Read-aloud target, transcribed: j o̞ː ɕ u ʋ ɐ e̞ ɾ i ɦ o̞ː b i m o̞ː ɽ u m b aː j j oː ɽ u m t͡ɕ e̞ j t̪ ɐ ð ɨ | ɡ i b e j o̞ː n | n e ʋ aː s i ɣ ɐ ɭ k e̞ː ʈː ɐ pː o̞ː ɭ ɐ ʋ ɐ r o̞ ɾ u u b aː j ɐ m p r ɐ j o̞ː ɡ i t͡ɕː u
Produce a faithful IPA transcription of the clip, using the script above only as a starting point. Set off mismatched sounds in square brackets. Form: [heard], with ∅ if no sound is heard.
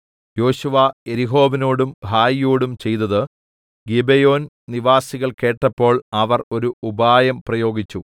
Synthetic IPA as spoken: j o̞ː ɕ u ʋ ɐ e̞ ɾ i ɦ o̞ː b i [n] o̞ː ɽ u m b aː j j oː ɽ u m t͡ɕ e̞ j t̪ ɐ ð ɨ | ɡ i b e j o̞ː n | n [i] ʋ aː s i ɣ ɐ ɭ k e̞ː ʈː ɐ pː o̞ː ɭ ɐ ʋ ɐ r o̞ ɾ u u b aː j ɐ m p r ɐ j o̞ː ɡ i t͡ɕː u